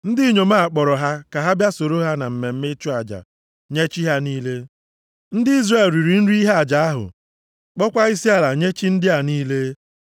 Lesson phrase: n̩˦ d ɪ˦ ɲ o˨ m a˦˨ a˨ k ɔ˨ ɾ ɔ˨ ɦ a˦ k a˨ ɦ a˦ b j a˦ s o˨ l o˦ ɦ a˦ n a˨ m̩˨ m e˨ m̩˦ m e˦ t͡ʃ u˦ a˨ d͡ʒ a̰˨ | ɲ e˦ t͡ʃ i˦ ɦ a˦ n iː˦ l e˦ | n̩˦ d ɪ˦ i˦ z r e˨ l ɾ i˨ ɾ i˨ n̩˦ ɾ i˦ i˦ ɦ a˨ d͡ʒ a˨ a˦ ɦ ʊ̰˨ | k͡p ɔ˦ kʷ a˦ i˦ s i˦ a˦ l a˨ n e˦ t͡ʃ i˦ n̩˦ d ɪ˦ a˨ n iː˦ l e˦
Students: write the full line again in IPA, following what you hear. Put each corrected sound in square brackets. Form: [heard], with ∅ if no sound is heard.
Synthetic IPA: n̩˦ d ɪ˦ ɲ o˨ m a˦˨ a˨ [k͡p] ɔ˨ ɾ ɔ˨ ɦ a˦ k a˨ ɦ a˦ b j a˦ s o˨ [ɾ] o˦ ɦ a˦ n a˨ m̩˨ m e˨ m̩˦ m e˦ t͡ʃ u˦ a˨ d͡ʒ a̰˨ | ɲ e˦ t͡ʃ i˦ ɦ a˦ n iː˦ l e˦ | n̩˦ d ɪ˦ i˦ z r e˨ l ɾ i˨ ɾ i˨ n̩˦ ɾ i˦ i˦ ɦ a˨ d͡ʒ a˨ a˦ ɦ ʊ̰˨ | k͡p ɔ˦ kʷ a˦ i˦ s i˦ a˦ l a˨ [ɲ] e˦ t͡ʃ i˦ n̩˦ d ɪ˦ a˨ n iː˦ l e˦